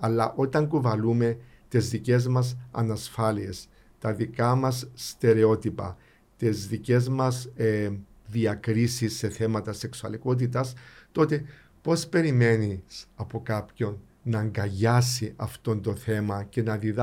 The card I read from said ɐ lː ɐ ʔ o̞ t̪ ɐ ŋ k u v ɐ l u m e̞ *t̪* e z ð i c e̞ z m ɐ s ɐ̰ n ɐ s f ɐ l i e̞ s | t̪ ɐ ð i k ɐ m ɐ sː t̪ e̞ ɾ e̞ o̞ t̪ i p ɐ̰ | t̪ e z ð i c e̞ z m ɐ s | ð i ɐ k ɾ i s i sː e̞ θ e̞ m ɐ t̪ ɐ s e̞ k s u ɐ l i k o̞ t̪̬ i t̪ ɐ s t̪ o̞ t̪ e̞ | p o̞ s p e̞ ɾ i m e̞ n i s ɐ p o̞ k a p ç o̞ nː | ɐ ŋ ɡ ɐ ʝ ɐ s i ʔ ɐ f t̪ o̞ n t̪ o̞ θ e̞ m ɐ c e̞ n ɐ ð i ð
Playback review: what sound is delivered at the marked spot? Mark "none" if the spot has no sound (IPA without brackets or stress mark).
t̪